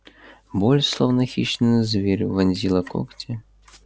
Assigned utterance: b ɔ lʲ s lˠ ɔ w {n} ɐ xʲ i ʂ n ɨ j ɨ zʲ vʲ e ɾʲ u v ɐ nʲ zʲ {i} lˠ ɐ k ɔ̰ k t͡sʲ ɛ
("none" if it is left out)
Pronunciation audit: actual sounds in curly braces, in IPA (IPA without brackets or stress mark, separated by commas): n, i